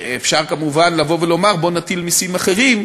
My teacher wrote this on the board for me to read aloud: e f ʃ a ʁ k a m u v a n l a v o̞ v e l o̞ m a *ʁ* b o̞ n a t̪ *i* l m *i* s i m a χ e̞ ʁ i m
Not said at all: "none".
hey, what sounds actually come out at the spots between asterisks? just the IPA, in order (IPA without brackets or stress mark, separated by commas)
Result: ʁ, i, i